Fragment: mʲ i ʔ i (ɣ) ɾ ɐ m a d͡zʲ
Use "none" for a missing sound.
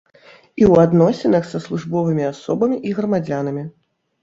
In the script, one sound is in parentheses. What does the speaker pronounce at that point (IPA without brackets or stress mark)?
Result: ɣ